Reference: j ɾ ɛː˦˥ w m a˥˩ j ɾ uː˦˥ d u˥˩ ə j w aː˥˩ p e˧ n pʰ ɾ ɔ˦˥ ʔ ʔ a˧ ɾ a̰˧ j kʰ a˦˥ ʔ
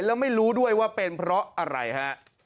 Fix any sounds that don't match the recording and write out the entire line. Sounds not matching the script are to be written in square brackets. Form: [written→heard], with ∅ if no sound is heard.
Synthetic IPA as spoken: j [ɾ→l] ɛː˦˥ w m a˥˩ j ɾ uː˦˥ d u˥˩ ə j w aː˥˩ p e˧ n pʰ ɾ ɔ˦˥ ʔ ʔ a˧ ɾ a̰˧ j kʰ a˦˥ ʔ